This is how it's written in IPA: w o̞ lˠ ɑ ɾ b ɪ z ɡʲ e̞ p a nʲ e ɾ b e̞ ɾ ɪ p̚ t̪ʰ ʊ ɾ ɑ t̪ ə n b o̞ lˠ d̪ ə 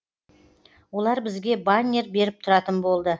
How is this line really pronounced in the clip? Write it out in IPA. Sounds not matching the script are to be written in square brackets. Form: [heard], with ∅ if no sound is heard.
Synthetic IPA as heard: w o̞ lˠ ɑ ɾ b ɪ z ɡʲ e̞ [b] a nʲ e ɾ b e̞ ɾ ɪ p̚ t̪ʰ ʊ ɾ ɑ t̪ ə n b o̞ lˠ d̪ ə